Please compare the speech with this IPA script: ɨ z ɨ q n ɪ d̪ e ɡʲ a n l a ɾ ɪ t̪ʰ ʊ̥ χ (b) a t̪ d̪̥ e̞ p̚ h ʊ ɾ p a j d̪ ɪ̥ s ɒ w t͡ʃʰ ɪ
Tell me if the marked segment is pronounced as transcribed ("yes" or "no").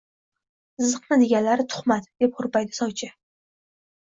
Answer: no